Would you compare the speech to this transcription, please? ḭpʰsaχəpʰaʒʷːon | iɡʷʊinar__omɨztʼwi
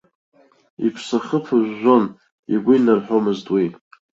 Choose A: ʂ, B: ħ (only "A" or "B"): B